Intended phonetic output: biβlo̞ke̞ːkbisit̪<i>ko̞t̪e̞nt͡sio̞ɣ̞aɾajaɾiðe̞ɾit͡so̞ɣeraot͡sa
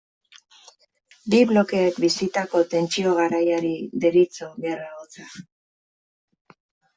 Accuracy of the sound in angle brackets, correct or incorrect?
incorrect